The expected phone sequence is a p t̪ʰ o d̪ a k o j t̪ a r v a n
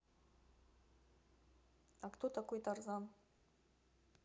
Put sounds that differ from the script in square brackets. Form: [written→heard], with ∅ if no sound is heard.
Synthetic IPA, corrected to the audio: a [p→k] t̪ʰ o [d̪→t̪] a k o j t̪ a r [v→z] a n

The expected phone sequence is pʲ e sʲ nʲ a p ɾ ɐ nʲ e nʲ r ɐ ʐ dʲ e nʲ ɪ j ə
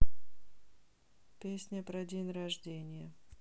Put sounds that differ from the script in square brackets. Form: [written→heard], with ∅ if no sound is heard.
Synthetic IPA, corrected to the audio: pʲ e sʲ nʲ [a→ə] p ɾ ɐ [nʲ→dʲ] e nʲ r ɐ ʐ dʲ e nʲ ɪ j ə

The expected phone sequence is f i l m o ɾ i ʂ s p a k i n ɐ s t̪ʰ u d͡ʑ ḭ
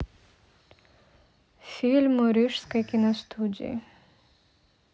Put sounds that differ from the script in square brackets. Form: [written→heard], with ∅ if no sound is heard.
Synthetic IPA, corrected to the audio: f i l m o ɾ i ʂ s [p→k] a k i n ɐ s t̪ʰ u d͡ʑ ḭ

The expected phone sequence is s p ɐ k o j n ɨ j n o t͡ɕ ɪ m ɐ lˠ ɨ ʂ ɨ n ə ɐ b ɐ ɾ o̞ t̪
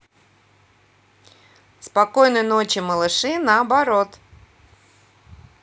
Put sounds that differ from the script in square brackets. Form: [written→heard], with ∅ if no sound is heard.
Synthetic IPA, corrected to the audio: s p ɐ k o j n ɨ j n o t͡ɕ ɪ m [ɐ→ə] lˠ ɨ ʂ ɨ n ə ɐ b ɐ ɾ o̞ t̪

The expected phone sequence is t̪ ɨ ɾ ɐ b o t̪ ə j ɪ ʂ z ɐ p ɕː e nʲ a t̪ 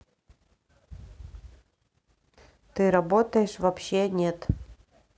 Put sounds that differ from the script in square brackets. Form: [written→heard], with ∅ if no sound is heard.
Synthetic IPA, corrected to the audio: t̪ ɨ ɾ ɐ b o t̪ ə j ɪ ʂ [z→v] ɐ p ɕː e nʲ [a→e] t̪

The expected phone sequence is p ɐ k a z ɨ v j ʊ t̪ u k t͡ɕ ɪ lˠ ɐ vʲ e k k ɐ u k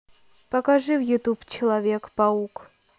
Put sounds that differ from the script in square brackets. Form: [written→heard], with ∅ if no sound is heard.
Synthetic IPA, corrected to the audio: p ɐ k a [z→ʐ] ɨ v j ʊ t̪ u [k→p] t͡ɕ ɪ lˠ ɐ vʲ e k [k→p] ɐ u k

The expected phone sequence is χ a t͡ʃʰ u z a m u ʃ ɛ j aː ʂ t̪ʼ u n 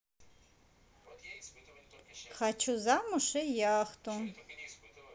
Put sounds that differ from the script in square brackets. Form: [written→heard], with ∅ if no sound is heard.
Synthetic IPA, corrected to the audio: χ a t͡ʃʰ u z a m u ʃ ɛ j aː [ʂ→χ] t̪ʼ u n

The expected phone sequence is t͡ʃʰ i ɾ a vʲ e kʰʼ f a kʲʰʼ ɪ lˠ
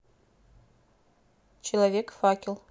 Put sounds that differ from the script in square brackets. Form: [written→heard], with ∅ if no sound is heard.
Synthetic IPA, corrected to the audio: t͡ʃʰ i [ɾ→l] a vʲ e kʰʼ f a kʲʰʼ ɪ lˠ

